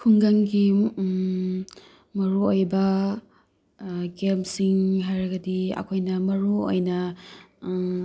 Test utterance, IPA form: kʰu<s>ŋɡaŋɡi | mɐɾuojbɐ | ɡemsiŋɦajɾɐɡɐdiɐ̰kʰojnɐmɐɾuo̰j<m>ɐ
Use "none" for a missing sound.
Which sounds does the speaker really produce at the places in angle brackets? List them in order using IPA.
none, n

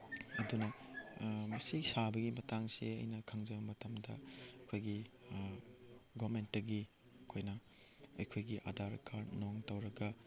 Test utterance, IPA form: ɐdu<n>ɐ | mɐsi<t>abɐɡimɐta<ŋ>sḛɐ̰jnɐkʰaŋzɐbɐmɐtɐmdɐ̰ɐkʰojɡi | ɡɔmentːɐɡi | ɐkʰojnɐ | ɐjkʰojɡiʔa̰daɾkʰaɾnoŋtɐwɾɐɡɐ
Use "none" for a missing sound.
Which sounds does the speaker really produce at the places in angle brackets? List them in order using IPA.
n, s, ŋ

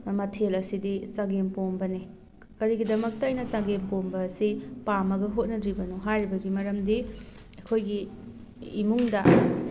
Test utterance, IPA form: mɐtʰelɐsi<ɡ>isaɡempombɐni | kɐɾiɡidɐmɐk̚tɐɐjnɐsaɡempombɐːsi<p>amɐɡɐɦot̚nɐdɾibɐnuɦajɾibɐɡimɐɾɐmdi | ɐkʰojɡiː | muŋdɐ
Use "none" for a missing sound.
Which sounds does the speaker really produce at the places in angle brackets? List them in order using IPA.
d, p

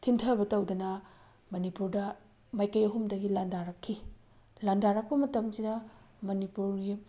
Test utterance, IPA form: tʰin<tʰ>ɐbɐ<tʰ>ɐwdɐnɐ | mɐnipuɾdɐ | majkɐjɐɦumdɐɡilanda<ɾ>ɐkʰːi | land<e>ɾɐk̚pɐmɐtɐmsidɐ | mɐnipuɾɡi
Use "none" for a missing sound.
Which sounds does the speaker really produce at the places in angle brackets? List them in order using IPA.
tʰ, t, ɾ, a

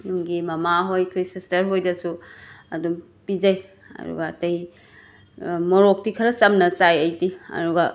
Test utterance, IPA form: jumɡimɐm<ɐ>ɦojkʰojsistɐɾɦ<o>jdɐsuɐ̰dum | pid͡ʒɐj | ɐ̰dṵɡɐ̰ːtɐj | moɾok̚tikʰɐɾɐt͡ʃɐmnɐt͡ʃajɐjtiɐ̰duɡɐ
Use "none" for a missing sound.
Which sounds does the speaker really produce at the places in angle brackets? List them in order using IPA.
a, o

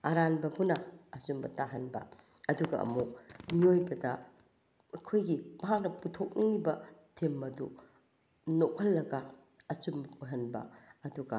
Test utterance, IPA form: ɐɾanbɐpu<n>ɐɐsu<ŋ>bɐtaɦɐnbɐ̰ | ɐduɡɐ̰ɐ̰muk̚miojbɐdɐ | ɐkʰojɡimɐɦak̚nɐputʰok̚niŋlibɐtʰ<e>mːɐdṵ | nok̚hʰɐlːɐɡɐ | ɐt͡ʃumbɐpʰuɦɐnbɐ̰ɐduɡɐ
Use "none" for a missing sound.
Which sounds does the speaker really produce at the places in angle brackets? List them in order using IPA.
n, m, e

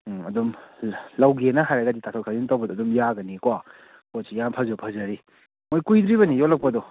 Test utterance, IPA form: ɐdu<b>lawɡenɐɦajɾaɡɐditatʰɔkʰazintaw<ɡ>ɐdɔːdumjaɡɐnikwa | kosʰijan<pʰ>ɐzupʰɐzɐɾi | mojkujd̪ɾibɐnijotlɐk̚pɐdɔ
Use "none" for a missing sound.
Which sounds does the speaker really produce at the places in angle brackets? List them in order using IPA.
m, b, pʰ

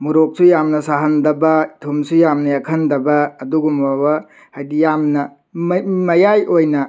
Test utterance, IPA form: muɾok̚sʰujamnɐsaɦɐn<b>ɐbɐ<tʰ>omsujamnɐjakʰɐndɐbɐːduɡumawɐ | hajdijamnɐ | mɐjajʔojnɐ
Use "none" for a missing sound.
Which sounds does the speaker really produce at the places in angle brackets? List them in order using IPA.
d, tʰ

